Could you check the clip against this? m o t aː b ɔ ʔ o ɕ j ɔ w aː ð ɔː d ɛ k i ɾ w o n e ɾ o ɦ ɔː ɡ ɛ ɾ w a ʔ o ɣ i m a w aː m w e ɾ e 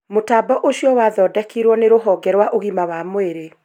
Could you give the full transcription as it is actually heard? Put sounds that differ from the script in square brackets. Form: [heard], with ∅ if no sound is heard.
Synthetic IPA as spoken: m o t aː b ɔ ʔ o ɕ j ɔ w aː ð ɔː d ɛ k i ɾ w [ɔ] n e ɾ o ɦ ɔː ɡ ɛ ɾ w a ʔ o ɣ i m a w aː m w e ɾ e